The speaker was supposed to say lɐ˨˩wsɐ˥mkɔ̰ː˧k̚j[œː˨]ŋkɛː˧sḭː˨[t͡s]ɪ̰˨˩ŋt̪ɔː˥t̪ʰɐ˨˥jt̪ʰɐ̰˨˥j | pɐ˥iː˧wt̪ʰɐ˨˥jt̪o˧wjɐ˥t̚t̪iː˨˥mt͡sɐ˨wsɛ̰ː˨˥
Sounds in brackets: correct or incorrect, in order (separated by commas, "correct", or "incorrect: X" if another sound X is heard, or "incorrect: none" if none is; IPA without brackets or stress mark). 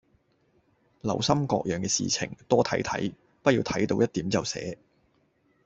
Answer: correct, incorrect: t͡sʰ